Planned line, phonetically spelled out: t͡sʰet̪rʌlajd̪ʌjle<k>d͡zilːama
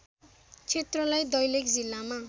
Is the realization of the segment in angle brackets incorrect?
no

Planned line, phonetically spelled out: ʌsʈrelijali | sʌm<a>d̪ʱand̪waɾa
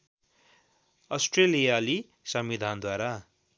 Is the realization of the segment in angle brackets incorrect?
yes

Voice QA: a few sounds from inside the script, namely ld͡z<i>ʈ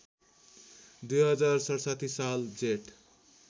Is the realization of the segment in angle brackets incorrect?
yes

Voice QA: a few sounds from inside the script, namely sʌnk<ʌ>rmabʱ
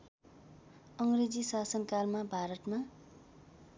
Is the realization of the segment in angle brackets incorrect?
yes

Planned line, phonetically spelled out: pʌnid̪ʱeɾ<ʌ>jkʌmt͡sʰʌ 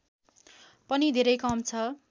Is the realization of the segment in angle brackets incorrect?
no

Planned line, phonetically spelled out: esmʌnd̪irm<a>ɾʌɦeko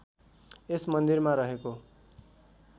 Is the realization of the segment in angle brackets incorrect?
no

